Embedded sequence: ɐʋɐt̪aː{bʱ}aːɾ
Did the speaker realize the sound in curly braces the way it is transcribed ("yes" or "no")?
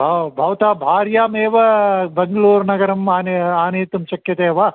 yes